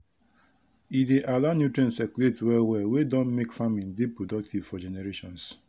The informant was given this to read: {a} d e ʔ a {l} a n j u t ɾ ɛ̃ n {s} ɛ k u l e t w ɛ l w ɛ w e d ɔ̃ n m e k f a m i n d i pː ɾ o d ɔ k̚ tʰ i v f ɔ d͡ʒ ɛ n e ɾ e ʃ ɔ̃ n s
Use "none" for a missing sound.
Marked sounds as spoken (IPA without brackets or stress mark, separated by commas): i, l, s